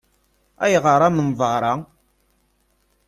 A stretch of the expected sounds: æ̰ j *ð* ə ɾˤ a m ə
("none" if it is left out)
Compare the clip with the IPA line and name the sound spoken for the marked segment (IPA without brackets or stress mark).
ʁ